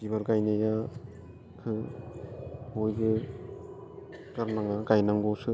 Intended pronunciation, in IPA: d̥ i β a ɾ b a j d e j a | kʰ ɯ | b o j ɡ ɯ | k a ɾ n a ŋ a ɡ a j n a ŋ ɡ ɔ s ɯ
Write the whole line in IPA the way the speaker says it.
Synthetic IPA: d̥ i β a ɾ ɡ a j n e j a | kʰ ɯ | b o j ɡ ɯ | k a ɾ n a ŋ a ɡ a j n a ŋ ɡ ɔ s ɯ